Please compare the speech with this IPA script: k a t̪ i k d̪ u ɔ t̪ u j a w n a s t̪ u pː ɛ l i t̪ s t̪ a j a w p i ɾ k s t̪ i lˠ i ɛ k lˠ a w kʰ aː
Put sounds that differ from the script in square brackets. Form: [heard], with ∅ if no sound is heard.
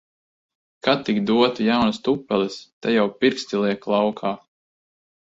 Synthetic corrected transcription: k a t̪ i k d̪ u ɔ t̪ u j a w n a s t̪ u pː ɛ l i [∅] s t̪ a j a w p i ɾ k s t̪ i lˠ i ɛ k lˠ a w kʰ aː